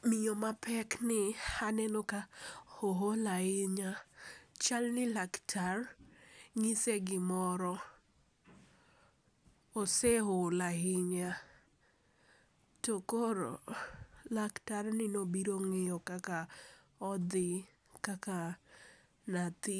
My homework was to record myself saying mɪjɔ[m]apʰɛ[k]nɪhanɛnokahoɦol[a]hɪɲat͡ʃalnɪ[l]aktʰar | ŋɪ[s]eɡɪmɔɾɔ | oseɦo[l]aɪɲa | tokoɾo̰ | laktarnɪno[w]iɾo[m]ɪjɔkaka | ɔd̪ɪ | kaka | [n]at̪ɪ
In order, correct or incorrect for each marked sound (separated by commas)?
correct, correct, correct, correct, correct, correct, incorrect, incorrect, correct